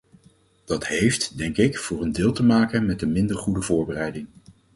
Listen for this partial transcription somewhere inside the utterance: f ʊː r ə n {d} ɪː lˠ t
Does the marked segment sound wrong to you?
no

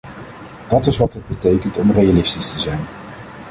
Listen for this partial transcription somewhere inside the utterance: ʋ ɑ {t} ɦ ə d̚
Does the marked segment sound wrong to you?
no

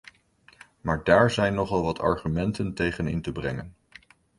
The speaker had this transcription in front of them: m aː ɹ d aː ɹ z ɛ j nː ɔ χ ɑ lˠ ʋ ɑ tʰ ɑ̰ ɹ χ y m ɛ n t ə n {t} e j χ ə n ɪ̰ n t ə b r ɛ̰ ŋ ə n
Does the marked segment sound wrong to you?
no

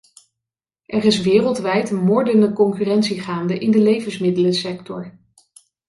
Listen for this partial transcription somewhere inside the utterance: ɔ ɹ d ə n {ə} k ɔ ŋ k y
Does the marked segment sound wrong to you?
no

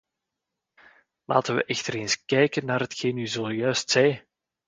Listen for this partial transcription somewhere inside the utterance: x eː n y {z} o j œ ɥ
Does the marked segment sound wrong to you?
no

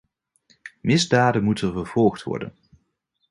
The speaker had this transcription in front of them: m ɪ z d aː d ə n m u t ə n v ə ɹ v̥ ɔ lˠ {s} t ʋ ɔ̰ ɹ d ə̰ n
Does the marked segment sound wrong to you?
yes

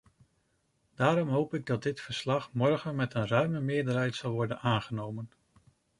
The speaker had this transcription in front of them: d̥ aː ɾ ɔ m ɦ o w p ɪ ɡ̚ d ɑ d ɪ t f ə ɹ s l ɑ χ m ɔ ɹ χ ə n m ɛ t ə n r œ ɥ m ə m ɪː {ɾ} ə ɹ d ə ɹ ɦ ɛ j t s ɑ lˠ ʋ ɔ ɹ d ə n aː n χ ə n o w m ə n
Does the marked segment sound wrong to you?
yes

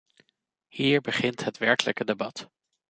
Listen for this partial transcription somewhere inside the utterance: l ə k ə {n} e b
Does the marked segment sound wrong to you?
yes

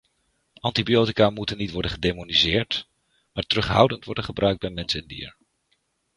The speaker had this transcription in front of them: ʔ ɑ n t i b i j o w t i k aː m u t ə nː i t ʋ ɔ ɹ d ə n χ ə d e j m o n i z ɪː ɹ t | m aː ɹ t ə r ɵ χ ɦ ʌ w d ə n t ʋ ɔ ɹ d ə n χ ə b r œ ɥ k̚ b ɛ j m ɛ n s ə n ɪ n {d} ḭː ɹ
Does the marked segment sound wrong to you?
no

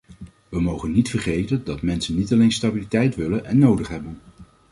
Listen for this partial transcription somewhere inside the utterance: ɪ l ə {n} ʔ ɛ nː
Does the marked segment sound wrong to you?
no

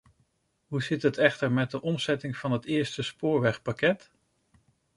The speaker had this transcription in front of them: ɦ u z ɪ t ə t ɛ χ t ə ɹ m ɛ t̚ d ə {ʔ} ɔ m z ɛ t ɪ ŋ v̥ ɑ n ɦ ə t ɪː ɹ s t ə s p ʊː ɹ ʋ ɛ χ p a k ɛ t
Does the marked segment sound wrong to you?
no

